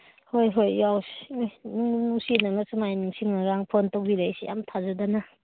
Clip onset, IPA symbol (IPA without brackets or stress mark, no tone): h